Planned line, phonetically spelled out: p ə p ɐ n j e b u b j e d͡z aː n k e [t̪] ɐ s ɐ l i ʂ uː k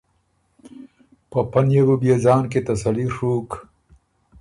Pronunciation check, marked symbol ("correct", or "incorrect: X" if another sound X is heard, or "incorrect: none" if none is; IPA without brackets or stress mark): correct